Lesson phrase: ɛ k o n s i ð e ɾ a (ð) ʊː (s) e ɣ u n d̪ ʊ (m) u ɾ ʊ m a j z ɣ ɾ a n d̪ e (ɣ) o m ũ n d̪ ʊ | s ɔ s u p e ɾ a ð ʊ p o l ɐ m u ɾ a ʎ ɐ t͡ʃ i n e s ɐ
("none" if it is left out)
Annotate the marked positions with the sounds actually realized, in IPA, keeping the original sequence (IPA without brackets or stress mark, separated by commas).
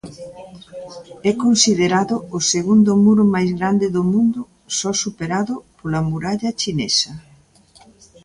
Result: ð, s, m, ð